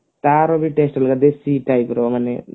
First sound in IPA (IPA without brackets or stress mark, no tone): t̪